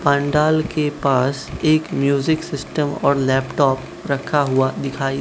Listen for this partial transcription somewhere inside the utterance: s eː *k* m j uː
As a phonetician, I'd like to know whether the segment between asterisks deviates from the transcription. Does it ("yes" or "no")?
no